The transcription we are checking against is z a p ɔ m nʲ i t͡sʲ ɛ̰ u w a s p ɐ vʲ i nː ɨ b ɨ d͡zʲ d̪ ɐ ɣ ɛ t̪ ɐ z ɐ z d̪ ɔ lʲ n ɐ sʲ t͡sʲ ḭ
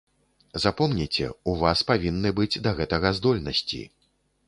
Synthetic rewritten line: z a p ɔ m nʲ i t͡sʲ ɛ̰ u v a s p a vʲ i nː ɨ b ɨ d͡zʲ d̪ ɐ ɣ ɛ t̪ ɐ ɣ ɐ z d̪ ɔ lʲ n ɐ sʲ t͡sʲ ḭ